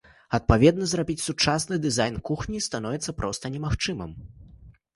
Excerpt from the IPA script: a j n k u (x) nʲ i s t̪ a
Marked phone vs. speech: correct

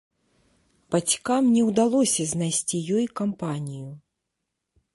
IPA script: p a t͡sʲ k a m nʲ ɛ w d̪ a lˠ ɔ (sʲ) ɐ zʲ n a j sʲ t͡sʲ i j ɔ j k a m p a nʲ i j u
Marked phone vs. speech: correct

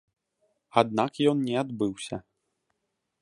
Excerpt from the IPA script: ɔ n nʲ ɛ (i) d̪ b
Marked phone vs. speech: incorrect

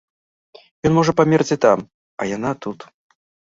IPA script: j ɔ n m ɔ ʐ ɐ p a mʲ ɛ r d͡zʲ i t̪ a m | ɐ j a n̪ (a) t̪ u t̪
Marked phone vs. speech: correct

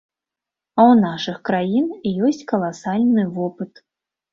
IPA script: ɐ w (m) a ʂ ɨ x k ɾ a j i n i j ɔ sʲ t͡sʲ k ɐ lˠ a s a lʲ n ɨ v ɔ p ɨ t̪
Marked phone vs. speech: incorrect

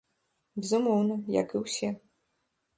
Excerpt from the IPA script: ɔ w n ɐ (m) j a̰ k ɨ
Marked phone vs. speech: incorrect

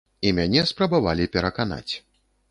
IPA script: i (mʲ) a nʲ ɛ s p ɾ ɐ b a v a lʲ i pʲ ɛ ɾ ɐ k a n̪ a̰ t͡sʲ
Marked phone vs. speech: correct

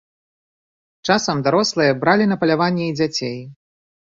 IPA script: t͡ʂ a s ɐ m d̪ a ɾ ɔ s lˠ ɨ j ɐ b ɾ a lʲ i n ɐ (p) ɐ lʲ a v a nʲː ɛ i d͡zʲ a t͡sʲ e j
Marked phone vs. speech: correct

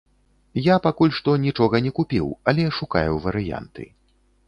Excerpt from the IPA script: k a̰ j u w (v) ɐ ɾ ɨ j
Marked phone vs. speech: correct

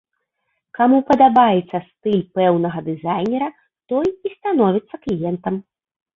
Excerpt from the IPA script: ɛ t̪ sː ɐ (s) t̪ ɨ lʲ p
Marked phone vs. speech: correct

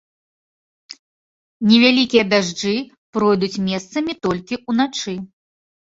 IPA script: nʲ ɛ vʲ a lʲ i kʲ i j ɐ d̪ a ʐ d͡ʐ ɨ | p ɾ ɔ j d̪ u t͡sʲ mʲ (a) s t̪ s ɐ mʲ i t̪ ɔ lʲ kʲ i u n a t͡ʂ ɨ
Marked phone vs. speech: incorrect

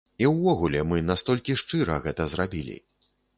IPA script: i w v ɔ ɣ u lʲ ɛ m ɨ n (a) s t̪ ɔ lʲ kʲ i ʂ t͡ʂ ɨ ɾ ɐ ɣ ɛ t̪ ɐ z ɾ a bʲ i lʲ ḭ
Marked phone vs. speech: correct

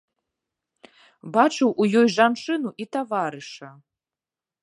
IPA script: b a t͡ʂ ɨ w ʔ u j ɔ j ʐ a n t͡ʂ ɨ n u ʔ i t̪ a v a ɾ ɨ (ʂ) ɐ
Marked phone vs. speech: correct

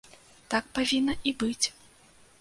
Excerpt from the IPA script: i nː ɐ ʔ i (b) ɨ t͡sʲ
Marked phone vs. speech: correct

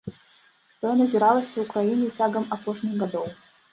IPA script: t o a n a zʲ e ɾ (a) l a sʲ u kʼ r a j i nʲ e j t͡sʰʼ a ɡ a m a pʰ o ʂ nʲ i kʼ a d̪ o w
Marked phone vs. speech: correct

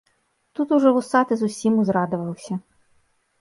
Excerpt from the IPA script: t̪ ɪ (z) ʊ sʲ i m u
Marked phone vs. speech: correct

